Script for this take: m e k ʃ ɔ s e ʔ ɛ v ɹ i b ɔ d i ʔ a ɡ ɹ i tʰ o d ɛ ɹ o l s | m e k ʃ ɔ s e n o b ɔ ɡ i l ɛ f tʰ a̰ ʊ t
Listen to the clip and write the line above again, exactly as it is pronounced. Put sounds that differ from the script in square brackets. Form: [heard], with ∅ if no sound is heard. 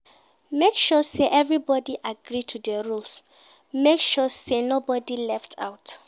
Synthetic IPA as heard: m e k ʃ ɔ s e ʔ ɛ v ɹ i b ɔ d i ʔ a ɡ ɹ i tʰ [u] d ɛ ɹ [u] l s | m e k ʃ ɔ s e n o b ɔ [d] i l ɛ f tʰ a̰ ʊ t